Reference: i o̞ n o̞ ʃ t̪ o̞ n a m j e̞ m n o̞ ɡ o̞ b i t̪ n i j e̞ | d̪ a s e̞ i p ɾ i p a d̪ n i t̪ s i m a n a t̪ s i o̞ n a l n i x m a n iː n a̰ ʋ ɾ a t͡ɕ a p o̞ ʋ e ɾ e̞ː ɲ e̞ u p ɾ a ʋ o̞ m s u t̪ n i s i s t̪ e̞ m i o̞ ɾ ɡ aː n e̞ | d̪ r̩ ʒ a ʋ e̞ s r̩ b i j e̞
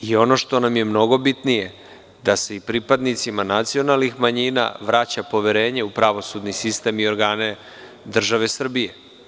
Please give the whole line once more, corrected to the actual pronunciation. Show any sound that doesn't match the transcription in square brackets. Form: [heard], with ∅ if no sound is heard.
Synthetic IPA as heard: i o̞ n o̞ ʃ t̪ o̞ n a m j e̞ m n o̞ ɡ o̞ b i t̪ n i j e̞ | d̪ a s e̞ i p ɾ i p a d̪ n i t̪ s i m a n a t̪ s i o̞ n a l n i x m a [ɲ] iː n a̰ ʋ ɾ a t͡ɕ a p o̞ ʋ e ɾ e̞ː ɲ e̞ u p ɾ a ʋ o̞ [∅] s u [d̪] n i s i s t̪ e̞ m i o̞ ɾ ɡ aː n e̞ | d̪ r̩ ʒ a ʋ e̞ s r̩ b i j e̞